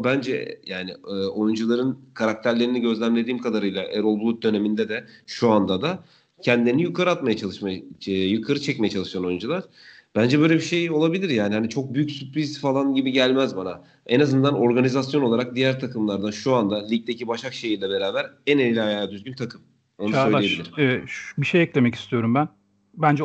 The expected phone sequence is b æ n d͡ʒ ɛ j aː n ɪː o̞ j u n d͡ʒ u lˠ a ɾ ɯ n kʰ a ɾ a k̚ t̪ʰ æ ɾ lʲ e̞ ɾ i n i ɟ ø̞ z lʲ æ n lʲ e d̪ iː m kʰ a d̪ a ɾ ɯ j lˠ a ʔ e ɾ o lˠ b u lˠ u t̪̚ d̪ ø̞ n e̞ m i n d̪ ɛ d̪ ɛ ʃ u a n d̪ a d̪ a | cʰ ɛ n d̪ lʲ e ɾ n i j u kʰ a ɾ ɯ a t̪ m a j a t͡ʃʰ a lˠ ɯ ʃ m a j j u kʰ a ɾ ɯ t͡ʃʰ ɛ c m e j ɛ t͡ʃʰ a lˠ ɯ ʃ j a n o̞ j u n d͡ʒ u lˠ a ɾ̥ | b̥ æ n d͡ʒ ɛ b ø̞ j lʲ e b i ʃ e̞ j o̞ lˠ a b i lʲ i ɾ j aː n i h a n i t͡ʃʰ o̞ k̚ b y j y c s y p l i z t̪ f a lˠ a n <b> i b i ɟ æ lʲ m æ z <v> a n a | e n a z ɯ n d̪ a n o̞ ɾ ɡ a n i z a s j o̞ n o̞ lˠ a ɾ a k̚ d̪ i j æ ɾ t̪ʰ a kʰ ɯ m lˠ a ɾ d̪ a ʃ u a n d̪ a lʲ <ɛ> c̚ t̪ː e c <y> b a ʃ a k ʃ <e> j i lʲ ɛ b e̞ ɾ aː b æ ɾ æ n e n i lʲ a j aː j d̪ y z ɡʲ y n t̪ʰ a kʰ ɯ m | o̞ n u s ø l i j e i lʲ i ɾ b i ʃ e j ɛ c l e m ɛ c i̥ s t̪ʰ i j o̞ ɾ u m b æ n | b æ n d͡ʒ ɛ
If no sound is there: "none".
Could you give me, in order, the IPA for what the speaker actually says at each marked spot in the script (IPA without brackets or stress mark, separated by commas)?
ɟ, b, i, i, e